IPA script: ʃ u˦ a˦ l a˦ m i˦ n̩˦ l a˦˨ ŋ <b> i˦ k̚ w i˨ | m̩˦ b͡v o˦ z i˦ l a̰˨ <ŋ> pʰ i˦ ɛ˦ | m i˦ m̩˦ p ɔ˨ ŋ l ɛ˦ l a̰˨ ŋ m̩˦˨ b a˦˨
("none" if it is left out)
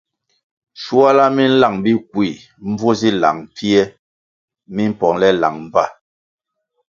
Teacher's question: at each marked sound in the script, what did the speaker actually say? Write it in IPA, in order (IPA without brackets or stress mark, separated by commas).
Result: b, ŋ